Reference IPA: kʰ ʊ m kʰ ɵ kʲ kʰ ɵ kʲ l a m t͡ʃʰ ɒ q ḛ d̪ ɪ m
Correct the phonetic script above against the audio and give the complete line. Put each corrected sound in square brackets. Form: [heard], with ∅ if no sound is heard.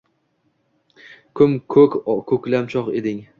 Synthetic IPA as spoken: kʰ ʊ m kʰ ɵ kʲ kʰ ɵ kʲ l a m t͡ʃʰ ɒ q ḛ d̪ ɪ [ŋ]